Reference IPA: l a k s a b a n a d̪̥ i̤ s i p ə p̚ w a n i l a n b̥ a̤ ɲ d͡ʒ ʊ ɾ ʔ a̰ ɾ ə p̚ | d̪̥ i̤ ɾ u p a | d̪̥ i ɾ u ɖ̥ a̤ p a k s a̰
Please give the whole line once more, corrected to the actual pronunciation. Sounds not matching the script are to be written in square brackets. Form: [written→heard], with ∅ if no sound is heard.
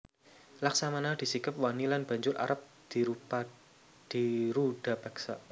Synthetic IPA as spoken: l a k s a [b→m] a n a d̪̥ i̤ s i [p→k] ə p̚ w a n i l a n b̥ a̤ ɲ d͡ʒ ʊ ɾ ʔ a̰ ɾ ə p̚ | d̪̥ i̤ ɾ u p a | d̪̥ i ɾ u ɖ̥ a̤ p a k s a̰